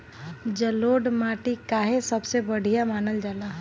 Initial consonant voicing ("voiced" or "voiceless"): voiced